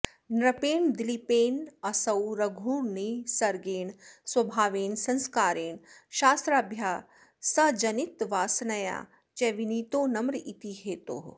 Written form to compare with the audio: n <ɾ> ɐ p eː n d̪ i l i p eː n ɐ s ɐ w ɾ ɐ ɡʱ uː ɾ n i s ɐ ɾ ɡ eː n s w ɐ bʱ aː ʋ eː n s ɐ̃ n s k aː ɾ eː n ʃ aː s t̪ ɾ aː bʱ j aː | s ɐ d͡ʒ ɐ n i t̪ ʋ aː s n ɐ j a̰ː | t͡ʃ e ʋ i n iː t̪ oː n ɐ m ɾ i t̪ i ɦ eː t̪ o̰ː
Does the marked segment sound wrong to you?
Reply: no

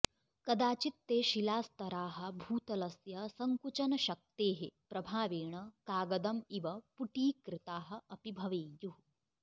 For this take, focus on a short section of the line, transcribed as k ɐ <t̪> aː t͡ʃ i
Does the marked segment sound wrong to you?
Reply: yes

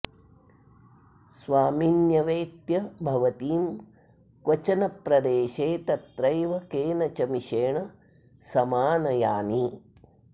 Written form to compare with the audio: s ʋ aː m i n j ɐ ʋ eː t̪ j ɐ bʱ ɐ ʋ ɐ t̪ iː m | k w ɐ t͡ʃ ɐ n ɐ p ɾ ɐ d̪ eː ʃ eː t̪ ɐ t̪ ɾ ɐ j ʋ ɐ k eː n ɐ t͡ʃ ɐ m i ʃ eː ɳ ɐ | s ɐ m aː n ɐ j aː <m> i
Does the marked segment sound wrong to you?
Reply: yes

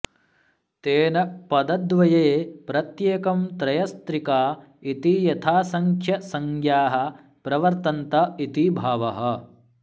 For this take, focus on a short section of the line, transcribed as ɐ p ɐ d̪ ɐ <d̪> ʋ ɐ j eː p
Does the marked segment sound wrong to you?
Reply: no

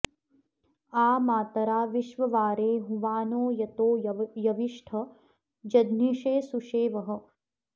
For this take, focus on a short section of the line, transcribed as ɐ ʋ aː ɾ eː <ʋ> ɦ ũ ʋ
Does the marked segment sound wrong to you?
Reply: yes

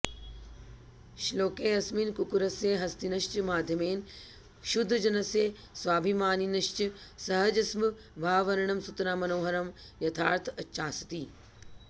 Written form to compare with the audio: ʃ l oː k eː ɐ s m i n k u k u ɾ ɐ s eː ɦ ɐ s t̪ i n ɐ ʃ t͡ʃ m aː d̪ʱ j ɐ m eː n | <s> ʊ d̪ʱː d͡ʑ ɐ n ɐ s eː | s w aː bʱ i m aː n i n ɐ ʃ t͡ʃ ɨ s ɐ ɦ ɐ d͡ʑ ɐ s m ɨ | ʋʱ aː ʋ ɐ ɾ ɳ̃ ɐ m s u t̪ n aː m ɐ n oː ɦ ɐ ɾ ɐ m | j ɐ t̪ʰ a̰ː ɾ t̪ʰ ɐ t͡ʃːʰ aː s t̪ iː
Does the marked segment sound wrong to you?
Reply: yes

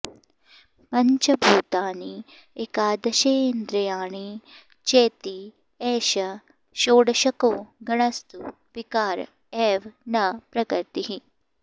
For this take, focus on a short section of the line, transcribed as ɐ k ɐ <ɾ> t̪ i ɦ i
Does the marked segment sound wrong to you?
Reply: no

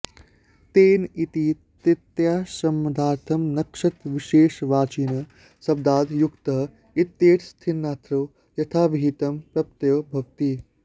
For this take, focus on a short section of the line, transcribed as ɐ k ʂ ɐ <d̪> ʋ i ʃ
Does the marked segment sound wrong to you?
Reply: yes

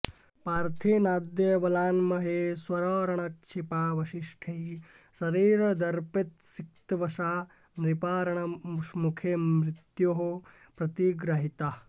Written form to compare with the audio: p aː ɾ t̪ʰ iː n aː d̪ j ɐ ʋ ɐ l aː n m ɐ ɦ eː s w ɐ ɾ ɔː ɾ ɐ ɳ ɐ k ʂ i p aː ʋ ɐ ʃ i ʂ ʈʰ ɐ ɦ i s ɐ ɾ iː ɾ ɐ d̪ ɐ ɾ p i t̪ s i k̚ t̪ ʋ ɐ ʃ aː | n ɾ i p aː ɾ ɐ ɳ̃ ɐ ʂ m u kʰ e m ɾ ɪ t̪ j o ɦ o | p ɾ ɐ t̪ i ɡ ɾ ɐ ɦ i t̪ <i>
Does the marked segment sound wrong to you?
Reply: yes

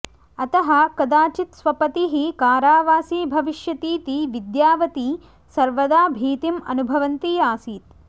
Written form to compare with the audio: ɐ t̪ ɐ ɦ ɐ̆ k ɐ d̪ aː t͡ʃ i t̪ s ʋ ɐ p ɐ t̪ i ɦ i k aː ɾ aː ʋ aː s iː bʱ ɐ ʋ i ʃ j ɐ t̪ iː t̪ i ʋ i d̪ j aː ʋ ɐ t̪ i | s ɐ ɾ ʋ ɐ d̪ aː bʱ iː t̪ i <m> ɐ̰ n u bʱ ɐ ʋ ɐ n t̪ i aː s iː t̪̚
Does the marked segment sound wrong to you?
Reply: no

